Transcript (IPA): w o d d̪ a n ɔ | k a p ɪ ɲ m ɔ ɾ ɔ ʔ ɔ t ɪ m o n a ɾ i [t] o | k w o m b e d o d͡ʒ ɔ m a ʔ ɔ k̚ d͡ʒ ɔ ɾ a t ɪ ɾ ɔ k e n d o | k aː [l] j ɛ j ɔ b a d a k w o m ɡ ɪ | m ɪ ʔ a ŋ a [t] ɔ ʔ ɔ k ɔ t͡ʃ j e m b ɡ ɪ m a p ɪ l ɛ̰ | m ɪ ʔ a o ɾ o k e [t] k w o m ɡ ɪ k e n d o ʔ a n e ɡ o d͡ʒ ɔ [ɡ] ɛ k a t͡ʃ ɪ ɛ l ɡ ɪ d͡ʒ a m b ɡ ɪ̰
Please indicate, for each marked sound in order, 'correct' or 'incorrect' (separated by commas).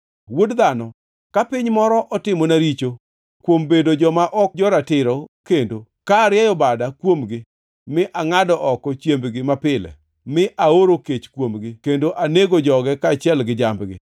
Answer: incorrect, incorrect, incorrect, incorrect, correct